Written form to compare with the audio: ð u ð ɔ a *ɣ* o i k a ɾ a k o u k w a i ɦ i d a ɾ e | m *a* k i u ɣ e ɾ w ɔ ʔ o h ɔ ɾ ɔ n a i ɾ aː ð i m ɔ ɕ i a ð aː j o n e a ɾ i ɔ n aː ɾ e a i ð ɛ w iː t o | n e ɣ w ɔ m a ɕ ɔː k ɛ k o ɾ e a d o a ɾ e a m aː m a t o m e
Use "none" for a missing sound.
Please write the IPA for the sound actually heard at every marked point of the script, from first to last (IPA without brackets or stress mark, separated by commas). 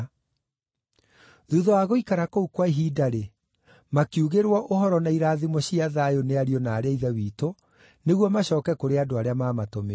ɣ, a